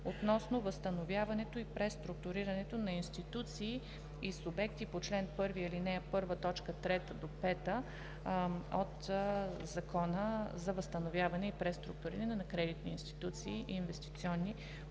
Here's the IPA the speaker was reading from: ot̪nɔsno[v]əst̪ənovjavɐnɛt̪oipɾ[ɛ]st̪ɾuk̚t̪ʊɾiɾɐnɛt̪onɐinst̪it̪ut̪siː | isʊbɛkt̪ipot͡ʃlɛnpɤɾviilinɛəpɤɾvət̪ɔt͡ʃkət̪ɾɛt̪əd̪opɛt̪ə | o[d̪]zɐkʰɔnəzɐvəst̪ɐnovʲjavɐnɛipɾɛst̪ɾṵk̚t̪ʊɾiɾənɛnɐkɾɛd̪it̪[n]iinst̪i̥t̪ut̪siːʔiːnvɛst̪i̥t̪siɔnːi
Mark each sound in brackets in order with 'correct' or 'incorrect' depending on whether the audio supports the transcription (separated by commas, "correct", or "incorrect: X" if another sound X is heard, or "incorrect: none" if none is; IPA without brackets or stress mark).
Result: correct, correct, incorrect: t̪, correct